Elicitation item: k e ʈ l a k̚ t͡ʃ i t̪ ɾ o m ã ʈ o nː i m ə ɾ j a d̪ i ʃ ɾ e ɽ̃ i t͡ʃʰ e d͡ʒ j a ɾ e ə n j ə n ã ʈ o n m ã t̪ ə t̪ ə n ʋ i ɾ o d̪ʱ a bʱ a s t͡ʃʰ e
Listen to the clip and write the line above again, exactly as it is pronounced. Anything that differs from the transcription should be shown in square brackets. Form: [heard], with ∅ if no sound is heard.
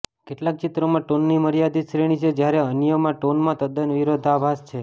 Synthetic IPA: k e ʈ l a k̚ t͡ʃ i t̪ ɾ o m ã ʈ o nː i m ə ɾ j a d̪ i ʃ ɾ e ɽ̃ i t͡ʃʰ e d͡ʒ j a ɾ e ə n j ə [m] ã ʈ o n m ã t̪ ə [d̪] ə n ʋ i ɾ o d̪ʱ a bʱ a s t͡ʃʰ e